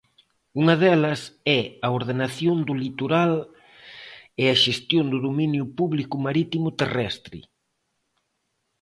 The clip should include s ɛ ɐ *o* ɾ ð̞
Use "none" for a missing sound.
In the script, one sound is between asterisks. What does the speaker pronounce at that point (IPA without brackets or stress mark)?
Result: o